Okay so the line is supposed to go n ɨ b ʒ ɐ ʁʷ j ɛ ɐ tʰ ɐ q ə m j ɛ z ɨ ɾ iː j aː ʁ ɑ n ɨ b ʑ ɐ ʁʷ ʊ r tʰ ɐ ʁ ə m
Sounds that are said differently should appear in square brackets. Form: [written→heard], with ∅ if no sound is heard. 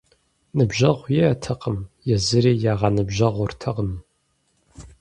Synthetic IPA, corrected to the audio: n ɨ b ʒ ɐ ʁʷ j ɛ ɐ tʰ ɐ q ə m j ɛ z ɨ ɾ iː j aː ʁ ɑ n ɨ b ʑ ɐ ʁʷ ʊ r tʰ ɐ ʁ ə m